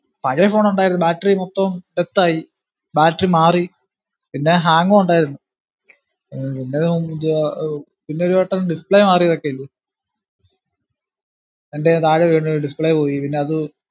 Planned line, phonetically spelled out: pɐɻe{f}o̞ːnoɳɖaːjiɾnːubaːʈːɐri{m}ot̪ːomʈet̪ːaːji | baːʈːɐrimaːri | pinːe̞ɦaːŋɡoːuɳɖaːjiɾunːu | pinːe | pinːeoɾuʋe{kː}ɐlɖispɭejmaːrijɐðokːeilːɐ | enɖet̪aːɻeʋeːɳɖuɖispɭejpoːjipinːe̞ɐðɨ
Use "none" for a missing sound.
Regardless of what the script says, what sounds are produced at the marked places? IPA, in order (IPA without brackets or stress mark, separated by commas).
f, m, ʈː